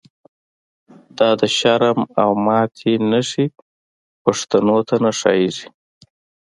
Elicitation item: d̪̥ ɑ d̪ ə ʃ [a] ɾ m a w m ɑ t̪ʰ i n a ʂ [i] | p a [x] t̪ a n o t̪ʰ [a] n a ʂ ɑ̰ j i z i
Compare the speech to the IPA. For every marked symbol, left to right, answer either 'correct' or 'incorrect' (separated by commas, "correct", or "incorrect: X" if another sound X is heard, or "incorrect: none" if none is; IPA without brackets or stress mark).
correct, correct, incorrect: ʂ, correct